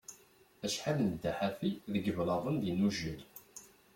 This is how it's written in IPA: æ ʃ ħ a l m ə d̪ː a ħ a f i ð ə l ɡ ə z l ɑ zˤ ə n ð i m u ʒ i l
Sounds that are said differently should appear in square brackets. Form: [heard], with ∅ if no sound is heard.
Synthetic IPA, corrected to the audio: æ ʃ ħ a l [n] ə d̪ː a ħ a f i ð ə [∅] ɡ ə [v] l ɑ [ðˤ] ə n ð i [n] u ʒ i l